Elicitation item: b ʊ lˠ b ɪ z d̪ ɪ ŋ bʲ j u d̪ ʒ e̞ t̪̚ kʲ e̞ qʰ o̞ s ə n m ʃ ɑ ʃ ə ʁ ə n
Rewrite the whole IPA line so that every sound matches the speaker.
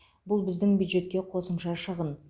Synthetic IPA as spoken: b ʊ lˠ b ɪ z d̪ ɪ ŋ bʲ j u d̪ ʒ e̞ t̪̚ kʲ e̞ qʰ o̞ s ə m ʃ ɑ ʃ ə ʁ ə n